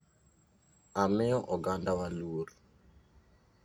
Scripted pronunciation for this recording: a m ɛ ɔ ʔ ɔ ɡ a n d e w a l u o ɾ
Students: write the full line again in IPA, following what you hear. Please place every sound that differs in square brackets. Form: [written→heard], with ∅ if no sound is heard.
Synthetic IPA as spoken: a m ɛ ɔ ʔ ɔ ɡ a n d [e→a] w a l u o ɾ